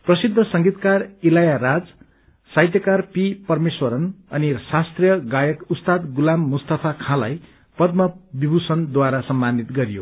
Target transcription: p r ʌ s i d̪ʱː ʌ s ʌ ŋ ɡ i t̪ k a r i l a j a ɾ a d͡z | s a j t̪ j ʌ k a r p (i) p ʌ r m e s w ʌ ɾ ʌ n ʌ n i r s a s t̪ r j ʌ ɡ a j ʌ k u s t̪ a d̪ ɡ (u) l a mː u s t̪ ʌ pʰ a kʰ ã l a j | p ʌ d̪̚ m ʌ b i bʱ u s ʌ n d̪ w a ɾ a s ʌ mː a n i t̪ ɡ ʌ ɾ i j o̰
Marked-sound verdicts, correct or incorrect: correct, correct

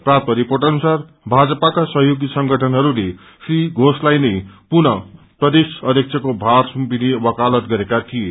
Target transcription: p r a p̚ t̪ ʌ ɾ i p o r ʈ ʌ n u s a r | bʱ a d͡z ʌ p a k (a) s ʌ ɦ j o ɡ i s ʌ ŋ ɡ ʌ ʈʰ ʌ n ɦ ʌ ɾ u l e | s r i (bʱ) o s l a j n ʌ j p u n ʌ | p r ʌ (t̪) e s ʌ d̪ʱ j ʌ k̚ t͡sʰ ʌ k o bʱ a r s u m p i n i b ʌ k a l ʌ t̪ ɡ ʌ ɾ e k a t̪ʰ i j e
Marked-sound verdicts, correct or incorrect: correct, incorrect: ɡʱ, incorrect: d̪

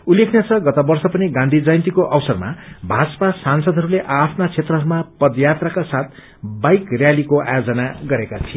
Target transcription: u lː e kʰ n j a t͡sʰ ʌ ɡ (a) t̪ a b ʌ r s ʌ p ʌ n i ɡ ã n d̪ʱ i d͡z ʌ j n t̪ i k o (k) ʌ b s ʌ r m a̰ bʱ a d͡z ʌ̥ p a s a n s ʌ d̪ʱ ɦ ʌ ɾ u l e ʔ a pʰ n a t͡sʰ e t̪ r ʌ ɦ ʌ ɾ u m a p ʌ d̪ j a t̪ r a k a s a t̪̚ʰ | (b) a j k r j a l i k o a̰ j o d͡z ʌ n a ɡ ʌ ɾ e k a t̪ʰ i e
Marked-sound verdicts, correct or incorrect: incorrect: ʌ, incorrect: ʔ, correct

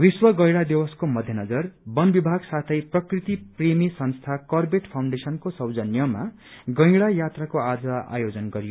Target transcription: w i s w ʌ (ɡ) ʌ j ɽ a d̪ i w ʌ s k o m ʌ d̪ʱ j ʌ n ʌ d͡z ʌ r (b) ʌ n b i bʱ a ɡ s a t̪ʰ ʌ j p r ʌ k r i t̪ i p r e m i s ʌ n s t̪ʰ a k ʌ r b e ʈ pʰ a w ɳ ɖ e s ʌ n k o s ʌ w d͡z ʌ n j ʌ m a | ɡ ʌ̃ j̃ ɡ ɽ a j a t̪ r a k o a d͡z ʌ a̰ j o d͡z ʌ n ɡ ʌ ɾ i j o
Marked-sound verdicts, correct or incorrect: correct, correct

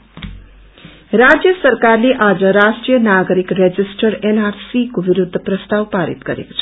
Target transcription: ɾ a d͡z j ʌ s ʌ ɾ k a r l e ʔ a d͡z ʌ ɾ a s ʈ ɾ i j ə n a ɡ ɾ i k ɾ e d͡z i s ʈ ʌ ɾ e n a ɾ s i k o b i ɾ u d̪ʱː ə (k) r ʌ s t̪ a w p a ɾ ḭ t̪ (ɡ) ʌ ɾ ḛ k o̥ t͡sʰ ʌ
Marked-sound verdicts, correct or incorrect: incorrect: p, correct

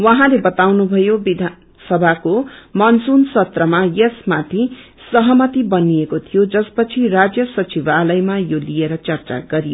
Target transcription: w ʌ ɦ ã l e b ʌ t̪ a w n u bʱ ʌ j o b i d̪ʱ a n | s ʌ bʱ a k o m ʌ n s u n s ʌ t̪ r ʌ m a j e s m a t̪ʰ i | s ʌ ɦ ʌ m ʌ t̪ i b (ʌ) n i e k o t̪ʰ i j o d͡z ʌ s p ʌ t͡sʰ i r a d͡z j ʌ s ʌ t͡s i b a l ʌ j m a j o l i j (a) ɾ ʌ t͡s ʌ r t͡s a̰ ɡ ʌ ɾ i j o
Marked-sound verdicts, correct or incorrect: correct, incorrect: e

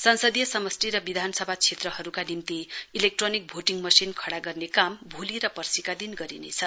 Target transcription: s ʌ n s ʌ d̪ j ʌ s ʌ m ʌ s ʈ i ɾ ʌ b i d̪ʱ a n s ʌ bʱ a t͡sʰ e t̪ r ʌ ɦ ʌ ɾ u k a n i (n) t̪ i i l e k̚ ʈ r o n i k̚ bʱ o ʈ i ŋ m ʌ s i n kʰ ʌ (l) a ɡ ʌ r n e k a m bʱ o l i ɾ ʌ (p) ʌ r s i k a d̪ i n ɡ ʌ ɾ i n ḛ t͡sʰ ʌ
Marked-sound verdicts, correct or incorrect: incorrect: m, incorrect: ɽ, correct

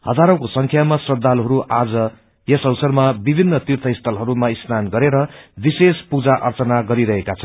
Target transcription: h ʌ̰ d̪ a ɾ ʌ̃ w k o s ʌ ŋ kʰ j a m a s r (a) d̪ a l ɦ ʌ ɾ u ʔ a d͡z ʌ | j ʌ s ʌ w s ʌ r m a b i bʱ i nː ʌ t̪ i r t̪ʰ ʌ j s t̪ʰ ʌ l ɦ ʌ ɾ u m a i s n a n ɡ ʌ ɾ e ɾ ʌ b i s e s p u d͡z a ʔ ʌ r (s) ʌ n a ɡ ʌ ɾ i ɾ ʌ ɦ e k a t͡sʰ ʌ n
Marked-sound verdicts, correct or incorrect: incorrect: ʌ, incorrect: t͡s

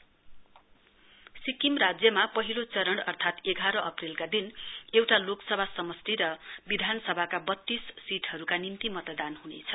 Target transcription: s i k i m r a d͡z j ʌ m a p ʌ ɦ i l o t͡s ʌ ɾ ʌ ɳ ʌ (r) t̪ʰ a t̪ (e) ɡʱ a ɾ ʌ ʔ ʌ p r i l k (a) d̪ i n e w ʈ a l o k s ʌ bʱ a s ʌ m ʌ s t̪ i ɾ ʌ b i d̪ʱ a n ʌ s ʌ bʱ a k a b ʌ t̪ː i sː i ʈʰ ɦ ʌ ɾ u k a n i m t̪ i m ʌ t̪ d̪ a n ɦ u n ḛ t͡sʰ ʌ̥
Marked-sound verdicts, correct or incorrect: correct, correct, correct

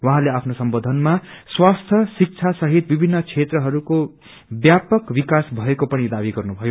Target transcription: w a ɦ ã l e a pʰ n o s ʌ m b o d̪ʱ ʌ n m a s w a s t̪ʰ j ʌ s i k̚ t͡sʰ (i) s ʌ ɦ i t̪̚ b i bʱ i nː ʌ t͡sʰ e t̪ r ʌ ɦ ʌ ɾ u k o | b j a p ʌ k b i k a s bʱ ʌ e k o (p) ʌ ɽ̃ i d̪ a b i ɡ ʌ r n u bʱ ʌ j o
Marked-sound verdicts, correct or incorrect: incorrect: a, correct

